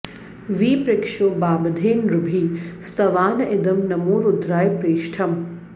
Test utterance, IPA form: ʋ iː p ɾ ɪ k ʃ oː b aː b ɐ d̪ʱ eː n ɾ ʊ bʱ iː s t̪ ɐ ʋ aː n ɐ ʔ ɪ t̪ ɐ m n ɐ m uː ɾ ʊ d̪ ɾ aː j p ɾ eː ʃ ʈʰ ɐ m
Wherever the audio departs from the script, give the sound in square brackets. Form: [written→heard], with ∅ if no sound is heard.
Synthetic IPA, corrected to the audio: ʋ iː p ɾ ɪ k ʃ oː b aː b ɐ d̪ʱ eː n ɾ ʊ bʱ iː s t̪ ɐ ʋ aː n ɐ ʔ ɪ [t̪→d̪] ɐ m n ɐ m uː ɾ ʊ d̪ ɾ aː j p ɾ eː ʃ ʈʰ ɐ m

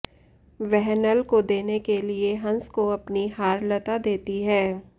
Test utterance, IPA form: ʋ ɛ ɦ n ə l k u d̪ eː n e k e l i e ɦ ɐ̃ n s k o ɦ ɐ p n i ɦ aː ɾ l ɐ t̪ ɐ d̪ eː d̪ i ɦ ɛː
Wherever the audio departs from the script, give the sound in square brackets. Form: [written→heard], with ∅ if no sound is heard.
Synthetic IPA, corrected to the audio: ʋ ɛ ɦ n ə l k [u→o] d̪ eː n e k e l i e ɦ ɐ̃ n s k o [ɦ→∅] ɐ p n i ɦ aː ɾ l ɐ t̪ [ɐ→a] d̪ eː [d̪→t̪] i ɦ ɛː

